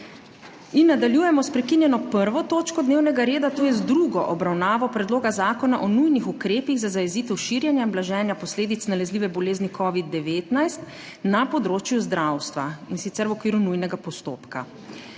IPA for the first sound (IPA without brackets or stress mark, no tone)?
i